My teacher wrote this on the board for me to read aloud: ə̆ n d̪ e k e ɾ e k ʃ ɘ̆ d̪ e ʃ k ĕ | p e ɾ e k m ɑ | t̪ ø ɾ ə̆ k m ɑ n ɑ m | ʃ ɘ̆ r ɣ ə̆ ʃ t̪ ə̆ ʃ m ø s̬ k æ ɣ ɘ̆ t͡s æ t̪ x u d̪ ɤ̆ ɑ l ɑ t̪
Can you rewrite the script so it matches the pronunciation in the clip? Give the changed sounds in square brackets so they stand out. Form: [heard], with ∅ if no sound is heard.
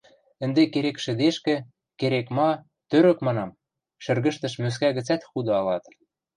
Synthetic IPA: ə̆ n d̪ e k e ɾ e k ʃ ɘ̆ d̪ e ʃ k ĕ | [k] e ɾ e k m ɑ | t̪ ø ɾ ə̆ k m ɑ n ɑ m | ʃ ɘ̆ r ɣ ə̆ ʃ t̪ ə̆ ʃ m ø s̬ k æ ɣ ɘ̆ t͡s æ t̪ x u d̪ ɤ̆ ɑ l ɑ t̪